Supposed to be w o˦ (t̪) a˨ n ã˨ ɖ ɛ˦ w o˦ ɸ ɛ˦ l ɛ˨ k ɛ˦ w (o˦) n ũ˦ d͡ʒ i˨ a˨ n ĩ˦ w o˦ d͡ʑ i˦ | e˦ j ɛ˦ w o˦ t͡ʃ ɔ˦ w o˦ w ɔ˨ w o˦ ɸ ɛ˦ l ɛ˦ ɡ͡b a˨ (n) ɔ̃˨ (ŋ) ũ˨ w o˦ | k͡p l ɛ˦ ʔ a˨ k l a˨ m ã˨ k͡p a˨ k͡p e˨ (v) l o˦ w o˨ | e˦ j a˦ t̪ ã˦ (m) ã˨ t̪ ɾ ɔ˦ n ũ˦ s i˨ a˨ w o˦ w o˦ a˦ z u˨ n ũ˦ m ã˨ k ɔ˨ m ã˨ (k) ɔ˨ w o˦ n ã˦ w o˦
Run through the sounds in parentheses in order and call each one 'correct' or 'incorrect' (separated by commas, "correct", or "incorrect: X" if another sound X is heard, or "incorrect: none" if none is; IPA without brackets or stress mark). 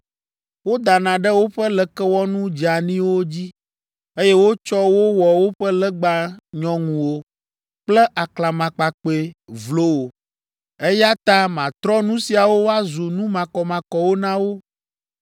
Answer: incorrect: d̪, incorrect: ɔ˦, incorrect: ɲ, correct, correct, correct, correct